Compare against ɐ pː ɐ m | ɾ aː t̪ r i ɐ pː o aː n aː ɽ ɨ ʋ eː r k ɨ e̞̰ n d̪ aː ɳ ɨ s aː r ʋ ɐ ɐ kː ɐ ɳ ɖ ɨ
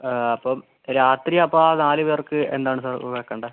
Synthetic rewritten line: ɐ pː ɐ m | ɾ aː t̪ r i ɐ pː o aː n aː l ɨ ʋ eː r k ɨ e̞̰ n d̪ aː ɳ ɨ s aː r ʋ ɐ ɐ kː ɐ ɳ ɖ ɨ